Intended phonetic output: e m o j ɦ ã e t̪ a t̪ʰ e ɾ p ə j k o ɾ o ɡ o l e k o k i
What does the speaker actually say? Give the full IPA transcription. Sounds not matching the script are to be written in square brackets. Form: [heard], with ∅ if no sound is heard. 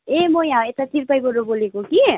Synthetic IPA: e m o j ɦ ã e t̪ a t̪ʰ [i] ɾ p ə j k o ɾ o [b] o l e k o k i